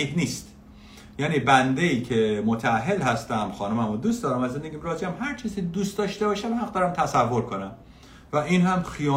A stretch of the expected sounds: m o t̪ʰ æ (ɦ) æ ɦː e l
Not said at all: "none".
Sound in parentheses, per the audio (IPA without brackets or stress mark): none